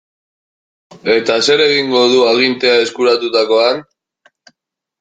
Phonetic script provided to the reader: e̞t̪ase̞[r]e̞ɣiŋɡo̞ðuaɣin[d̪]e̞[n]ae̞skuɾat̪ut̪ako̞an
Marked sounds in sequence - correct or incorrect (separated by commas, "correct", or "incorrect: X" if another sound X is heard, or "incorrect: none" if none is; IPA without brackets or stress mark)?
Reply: incorrect: ɾ, incorrect: t̪, incorrect: none